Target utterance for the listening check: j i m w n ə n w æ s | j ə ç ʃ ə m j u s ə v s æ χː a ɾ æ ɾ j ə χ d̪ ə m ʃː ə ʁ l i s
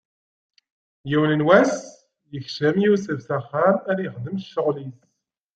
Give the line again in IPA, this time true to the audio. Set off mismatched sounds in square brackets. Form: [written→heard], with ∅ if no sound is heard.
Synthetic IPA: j i [m→∅] w n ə n w æ s | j ə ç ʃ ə m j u s ə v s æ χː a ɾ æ ɾ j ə χ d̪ ə m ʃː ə ʁ l i s